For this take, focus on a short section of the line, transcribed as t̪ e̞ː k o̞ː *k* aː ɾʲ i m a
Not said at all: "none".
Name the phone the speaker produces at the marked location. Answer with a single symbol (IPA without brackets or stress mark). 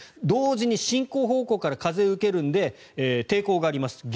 ɡ